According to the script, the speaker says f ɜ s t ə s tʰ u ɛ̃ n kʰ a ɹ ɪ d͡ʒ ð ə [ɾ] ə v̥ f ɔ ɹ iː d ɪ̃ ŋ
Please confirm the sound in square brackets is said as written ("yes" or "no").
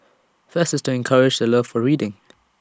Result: no